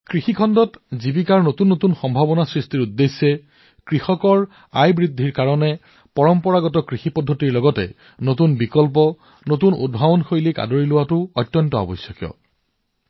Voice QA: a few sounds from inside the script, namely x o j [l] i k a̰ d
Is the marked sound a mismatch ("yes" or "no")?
no